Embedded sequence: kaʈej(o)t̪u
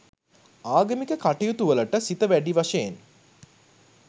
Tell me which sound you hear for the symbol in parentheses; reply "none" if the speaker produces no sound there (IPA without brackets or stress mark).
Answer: u